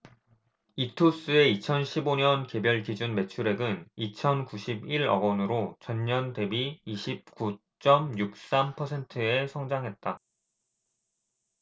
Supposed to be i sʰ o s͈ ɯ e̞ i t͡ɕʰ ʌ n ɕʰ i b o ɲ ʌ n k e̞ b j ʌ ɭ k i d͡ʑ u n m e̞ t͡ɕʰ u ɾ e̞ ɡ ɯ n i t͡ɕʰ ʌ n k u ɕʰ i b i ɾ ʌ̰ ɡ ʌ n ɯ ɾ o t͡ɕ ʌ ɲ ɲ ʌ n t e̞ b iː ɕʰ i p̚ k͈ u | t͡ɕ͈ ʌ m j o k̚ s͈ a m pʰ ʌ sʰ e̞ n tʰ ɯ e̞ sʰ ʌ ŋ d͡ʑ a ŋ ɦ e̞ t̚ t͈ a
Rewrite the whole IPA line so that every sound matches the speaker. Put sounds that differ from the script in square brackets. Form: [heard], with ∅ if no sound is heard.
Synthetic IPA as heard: i [tʰ] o s͈ ɯ e̞ i t͡ɕʰ ʌ n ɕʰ i b o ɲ ʌ n k e̞ b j ʌ ɭ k i d͡ʑ u n m e̞ t͡ɕʰ u ɾ e̞ ɡ ɯ n i t͡ɕʰ ʌ n k u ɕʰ i b i ɾ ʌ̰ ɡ ʌ n ɯ ɾ o t͡ɕ ʌ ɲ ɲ ʌ n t e̞ b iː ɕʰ i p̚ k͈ u | t͡ɕ͈ ʌ m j [u] k̚ s͈ a m pʰ ʌ sʰ e̞ n tʰ ɯ e̞ sʰ ʌ ŋ d͡ʑ a ŋ ɦ e̞ t̚ t͈ a